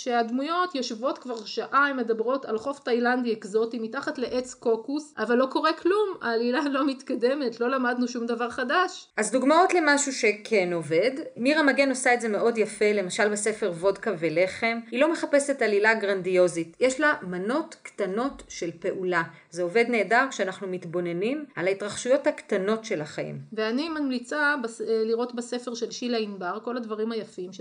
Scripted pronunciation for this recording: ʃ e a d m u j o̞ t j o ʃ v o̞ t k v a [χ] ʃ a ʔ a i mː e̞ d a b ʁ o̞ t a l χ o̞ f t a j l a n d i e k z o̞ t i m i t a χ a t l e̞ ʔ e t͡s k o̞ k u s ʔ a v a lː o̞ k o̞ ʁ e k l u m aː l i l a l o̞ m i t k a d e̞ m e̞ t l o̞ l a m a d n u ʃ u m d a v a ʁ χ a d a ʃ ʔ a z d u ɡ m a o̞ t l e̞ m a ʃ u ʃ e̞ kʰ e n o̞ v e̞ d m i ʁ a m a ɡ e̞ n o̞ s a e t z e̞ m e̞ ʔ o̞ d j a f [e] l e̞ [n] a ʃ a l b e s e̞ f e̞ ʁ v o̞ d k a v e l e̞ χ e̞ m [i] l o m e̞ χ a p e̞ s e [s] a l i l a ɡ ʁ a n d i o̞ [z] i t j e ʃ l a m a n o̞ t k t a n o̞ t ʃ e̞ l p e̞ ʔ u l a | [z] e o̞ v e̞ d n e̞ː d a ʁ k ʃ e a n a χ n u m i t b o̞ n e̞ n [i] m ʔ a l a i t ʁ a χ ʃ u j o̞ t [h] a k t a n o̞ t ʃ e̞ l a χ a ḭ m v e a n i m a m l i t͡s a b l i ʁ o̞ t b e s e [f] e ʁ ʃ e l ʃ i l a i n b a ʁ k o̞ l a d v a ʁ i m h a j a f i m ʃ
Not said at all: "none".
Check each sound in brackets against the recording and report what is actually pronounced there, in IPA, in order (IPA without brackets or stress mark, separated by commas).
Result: ʁ, e, m, i, t, z, z, i, h, f